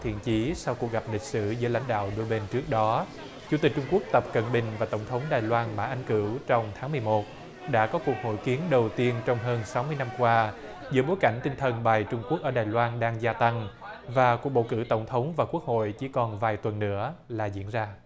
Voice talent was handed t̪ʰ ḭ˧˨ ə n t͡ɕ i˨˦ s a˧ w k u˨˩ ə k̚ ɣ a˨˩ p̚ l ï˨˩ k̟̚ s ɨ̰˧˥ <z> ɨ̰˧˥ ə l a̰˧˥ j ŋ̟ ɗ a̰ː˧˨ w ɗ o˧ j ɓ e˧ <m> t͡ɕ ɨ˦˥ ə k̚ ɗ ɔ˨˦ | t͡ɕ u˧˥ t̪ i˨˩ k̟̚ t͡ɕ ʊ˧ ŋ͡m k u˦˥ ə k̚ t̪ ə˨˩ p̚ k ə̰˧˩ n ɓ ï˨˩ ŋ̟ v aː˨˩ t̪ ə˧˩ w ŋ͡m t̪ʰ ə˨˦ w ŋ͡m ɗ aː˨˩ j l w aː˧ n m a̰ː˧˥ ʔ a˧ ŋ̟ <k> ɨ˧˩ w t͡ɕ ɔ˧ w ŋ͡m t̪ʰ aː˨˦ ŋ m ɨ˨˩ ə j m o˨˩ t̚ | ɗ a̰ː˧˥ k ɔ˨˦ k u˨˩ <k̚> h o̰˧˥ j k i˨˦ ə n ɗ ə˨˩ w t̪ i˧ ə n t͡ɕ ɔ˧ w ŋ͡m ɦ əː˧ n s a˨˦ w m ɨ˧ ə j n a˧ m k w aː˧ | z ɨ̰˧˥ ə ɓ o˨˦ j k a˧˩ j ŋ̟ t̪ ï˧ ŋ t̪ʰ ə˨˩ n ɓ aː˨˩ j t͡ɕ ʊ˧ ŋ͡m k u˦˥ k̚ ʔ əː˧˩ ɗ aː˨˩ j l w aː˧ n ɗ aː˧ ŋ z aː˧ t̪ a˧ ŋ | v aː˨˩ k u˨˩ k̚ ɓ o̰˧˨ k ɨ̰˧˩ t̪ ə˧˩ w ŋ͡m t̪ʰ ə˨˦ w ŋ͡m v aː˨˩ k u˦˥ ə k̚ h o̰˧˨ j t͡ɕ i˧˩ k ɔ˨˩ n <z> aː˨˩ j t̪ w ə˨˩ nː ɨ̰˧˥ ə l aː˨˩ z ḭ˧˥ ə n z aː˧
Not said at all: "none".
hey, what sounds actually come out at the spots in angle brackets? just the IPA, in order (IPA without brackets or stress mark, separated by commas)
z, n, k, k̚, v